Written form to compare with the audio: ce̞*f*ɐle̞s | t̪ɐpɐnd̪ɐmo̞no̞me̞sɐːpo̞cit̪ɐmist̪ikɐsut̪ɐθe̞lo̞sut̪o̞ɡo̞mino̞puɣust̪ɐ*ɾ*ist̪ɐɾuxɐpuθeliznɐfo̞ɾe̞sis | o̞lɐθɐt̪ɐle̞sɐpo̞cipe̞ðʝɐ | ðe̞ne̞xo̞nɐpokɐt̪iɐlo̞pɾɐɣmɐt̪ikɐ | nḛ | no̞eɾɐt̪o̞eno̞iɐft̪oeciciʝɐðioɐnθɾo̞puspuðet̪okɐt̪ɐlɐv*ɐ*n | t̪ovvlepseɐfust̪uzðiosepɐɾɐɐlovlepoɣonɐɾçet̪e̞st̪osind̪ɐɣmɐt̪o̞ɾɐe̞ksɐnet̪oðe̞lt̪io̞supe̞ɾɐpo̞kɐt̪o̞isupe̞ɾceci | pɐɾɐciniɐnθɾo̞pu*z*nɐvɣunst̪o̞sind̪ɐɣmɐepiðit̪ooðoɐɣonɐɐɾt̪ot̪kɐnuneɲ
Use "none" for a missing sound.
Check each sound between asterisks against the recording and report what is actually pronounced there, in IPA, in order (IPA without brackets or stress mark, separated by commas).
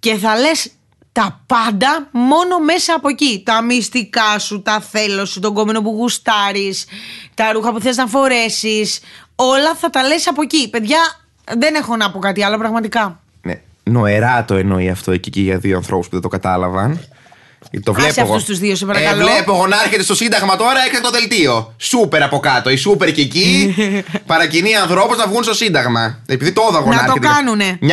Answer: θ, ɾ, ɐ, z